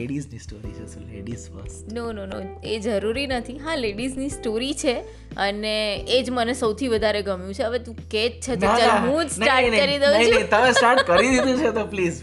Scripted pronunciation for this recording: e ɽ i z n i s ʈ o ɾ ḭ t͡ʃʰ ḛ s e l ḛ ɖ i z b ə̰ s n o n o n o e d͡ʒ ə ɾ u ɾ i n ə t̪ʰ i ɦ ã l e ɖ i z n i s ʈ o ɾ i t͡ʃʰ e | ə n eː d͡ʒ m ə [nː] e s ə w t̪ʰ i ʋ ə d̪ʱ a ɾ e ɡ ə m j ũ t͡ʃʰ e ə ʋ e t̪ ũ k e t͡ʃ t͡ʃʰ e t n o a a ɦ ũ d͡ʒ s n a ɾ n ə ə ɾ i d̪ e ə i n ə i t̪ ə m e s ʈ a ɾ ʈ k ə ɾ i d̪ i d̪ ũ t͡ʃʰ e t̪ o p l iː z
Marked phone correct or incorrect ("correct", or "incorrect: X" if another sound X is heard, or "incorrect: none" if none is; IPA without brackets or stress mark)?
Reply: incorrect: n